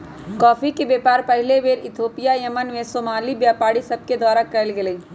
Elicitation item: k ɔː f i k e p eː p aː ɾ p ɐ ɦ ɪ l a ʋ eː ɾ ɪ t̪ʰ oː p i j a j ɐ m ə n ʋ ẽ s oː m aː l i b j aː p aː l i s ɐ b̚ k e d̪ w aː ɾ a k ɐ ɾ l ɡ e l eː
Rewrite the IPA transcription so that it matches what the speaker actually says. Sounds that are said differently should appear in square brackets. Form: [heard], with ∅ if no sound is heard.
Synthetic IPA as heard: k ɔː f i k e [b] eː p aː ɾ p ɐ ɦ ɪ l [e] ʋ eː ɾ ɪ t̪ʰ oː p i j a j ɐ m ə n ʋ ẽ s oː m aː l i b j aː p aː [ɽ] i s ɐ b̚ k e d̪ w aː ɾ a k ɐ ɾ l ɡ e l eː